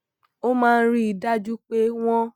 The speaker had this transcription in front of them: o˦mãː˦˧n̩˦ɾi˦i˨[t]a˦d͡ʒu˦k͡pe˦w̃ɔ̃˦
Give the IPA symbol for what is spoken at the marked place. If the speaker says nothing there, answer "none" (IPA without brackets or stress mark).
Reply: d